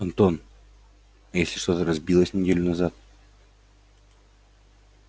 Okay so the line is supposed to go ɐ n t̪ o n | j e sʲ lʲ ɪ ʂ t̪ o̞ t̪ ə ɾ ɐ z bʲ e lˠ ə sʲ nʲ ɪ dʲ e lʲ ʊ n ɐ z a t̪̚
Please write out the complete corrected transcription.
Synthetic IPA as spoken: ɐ n t̪ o n | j e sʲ lʲ ɪ ʂ t̪ o̞ t̪ ə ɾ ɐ z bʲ i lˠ ə sʲ nʲ ɪ dʲ e lʲ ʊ n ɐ z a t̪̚